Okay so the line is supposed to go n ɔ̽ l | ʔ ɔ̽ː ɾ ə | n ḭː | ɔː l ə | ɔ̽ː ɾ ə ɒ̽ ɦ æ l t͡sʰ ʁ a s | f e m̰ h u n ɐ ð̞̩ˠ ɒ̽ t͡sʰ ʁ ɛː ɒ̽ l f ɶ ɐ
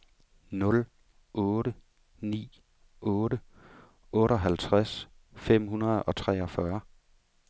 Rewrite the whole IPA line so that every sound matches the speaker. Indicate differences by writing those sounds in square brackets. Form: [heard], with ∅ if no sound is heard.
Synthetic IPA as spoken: n ɔ̽ l | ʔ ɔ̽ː ɾ ə | n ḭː | ɔː [ɾ] ə | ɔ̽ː ɾ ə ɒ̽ ɦ æ l t͡sʰ ʁ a s | f e m̰ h u n ɐ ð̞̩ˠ ɒ̽ t͡sʰ ʁ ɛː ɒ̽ [∅] f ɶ ɐ